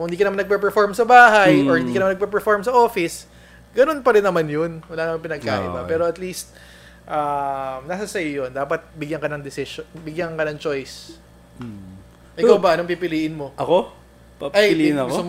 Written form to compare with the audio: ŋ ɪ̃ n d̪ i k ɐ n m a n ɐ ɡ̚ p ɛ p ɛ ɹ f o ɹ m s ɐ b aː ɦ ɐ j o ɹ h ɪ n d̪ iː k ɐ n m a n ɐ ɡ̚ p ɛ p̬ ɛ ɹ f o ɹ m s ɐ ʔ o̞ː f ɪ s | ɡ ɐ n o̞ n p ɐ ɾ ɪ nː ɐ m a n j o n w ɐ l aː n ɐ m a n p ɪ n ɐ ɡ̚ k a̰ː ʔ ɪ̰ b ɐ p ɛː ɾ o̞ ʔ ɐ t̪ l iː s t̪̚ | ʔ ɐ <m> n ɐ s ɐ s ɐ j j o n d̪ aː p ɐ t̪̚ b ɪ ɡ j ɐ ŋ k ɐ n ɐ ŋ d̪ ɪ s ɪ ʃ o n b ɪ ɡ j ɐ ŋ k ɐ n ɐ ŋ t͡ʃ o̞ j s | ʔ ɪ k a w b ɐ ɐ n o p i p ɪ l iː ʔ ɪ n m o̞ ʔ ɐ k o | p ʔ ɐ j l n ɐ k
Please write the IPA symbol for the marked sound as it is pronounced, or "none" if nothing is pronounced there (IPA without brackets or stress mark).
m